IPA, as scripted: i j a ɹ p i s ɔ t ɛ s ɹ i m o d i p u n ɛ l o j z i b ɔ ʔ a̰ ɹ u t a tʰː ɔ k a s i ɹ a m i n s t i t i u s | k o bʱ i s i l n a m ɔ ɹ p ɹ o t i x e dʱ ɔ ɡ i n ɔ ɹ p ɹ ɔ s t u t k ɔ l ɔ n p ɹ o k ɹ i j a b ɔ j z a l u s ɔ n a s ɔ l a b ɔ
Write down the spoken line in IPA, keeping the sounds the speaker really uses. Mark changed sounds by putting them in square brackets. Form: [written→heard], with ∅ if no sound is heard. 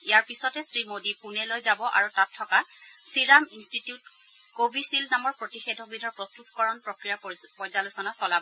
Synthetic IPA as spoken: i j a ɹ p i s ɔ t ɛ s ɹ i m o d i p u n ɛ l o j z [i→a] b ɔ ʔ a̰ ɹ u t a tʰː ɔ k a s i ɹ a m i n s t i t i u [s→t] | k o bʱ i s i l n a m ɔ ɹ p ɹ o t i x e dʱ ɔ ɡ i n ɔ ɹ p ɹ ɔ s t u t k ɔ [l→ɹ] ɔ n p ɹ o k ɹ i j a [b→p] ɔ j z a l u s ɔ n a s ɔ l a b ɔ